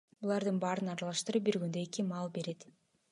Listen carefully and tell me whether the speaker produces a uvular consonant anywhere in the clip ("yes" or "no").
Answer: no